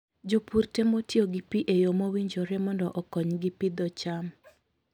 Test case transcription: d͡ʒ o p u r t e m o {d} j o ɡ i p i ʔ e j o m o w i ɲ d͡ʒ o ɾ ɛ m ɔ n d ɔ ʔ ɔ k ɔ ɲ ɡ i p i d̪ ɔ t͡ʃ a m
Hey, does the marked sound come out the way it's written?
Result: no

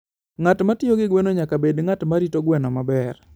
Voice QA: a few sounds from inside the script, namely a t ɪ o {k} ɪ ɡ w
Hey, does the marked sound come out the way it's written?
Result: no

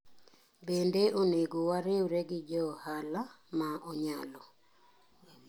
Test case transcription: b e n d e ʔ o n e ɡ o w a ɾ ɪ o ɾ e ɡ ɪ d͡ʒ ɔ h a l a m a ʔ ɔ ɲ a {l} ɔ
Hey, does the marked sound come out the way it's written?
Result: yes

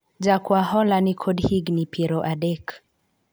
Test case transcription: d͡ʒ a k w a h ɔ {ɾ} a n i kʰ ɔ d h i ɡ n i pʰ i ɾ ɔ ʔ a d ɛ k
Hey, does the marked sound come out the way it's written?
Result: no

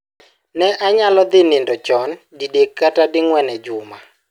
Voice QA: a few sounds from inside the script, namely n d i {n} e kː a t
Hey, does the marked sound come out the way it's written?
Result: no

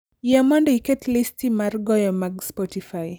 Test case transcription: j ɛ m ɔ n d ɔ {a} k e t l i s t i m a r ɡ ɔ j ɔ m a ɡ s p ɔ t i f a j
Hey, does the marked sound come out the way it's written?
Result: no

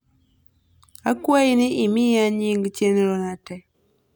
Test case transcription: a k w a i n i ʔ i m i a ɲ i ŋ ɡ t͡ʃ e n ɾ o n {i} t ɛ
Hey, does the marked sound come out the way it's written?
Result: no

